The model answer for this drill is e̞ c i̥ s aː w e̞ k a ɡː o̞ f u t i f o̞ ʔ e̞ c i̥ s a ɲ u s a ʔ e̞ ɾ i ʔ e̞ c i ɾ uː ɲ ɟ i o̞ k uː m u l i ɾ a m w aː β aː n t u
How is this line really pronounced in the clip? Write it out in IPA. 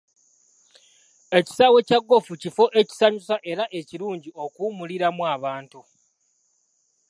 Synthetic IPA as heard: e̞ c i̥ s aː w e̞ c a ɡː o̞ f u c i f o̞ ʔ e̞ c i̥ s a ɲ u s a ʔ e̞ ɾ a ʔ e̞ c i ɾ uː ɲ ɟ i o̞ k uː m u l i ɾ a m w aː β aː n t u